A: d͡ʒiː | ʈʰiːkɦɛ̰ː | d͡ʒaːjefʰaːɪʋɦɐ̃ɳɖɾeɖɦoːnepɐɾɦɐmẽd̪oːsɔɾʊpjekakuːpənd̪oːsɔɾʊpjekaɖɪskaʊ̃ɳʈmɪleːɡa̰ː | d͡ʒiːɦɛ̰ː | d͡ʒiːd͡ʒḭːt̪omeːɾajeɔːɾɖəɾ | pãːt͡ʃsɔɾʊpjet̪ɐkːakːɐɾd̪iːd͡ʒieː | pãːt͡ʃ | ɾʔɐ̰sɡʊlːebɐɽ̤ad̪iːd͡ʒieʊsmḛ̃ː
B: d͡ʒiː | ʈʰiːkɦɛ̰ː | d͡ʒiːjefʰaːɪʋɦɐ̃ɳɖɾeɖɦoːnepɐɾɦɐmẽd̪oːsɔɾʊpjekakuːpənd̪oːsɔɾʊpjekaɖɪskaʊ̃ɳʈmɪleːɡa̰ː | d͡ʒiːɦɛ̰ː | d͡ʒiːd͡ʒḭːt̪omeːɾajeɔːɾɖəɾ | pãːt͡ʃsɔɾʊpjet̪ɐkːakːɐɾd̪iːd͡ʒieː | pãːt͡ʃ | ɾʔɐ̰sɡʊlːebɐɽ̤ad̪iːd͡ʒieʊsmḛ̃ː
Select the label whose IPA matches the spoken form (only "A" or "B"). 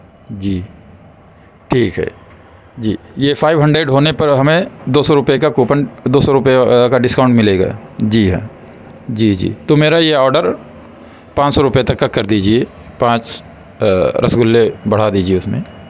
B